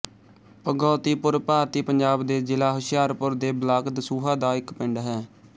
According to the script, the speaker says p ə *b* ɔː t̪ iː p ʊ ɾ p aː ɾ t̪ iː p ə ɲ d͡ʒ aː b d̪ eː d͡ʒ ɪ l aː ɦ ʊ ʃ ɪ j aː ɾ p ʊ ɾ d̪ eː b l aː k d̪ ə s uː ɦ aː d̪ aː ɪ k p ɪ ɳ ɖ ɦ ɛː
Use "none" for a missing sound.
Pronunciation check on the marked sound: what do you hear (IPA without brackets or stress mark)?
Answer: ɡ